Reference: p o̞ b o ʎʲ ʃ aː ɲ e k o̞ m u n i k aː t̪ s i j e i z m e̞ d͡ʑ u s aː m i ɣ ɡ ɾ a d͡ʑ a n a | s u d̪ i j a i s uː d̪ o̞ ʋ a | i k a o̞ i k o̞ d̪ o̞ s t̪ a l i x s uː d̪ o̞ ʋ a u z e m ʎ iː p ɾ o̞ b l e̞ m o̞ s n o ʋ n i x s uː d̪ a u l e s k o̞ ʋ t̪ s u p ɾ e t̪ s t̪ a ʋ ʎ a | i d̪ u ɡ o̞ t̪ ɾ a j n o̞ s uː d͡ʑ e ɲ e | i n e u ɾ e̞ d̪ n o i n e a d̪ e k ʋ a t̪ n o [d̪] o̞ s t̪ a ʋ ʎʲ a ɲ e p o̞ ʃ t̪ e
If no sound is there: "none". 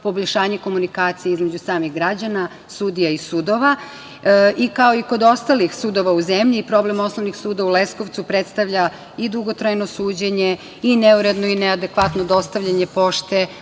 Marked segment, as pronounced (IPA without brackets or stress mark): d̪